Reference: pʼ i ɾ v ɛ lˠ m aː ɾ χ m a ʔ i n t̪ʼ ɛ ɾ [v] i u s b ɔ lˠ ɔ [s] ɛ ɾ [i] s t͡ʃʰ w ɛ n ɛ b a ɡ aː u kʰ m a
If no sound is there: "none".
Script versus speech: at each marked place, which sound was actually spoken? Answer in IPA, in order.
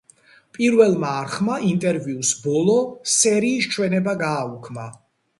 v, s, iː

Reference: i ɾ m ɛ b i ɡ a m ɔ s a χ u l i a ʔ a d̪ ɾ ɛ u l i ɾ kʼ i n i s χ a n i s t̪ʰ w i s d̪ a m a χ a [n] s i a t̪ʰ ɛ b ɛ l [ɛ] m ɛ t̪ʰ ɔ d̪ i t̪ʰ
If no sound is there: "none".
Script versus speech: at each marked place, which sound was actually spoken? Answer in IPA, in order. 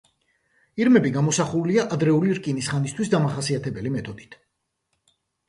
none, i

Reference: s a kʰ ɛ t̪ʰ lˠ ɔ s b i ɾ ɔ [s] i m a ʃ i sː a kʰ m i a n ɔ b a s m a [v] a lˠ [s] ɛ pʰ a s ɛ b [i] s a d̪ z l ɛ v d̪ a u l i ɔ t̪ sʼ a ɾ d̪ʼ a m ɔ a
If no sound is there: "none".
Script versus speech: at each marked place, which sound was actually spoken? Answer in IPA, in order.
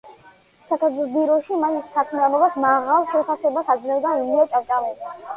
ʃ, ʁ, ʃ, a

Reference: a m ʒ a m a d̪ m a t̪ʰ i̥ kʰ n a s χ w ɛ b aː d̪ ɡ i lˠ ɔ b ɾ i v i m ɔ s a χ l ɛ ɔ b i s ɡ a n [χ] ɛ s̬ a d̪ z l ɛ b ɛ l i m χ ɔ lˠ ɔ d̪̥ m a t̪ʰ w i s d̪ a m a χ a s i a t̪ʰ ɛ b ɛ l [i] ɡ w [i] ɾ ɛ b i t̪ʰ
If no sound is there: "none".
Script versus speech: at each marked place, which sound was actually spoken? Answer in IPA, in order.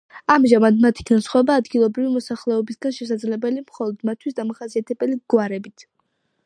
ʃ, i, a

